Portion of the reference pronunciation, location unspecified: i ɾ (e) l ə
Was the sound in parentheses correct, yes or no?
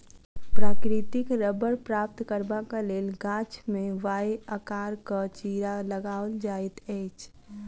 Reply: no